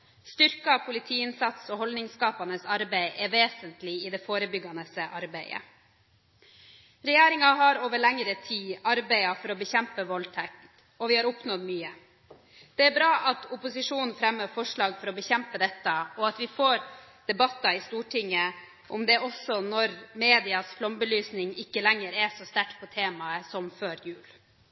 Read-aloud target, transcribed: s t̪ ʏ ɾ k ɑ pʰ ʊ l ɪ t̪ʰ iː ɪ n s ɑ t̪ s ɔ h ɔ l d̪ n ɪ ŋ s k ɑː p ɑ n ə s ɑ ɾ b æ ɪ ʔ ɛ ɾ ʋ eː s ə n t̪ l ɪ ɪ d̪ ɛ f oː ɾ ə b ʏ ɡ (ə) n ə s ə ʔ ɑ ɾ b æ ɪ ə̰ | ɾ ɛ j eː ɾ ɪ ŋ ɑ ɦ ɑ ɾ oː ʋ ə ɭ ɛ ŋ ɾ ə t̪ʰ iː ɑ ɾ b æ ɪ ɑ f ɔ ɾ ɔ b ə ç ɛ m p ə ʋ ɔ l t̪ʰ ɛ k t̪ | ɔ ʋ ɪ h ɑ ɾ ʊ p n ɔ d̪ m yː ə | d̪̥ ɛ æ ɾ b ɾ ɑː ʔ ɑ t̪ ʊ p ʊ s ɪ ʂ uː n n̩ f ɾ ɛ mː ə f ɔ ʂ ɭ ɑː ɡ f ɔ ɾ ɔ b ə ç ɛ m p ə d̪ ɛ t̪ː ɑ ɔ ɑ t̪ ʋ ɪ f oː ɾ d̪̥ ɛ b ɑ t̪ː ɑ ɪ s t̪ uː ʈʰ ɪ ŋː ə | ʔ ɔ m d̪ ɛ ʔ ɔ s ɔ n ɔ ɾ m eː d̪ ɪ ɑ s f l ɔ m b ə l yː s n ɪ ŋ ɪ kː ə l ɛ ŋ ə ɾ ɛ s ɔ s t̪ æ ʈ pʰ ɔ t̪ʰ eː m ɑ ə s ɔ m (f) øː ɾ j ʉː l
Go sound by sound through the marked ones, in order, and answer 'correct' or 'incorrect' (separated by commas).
incorrect, correct